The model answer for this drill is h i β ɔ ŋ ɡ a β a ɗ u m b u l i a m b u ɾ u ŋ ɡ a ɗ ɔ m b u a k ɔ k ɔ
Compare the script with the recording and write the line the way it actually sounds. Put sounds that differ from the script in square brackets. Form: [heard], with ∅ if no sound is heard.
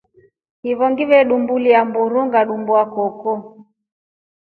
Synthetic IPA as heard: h i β ɔ ŋ ɡ [i] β [ɛ] ɗ u m b u l i a m b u ɾ u ŋ ɡ a ɗ [u] m b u a k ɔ k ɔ